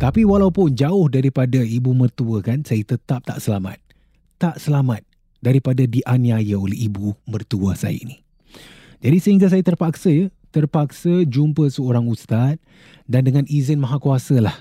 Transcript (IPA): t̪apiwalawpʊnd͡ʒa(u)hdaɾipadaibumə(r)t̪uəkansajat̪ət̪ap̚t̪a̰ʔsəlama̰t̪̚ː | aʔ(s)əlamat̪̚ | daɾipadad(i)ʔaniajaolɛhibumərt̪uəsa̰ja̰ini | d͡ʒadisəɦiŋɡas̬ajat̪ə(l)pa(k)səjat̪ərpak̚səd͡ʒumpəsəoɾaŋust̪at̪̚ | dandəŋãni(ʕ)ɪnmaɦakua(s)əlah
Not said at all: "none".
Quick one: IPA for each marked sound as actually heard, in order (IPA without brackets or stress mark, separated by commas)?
ʊ, r, s, i, r, k, z, s